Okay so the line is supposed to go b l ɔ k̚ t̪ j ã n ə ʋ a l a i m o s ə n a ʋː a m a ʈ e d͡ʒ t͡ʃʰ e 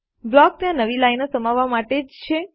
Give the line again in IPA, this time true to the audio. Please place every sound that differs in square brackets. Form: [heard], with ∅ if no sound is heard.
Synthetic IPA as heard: b l ɔ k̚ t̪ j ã n ə ʋ [i] l a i [n] o s ə [m] a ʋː a m a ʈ e d͡ʒ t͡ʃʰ e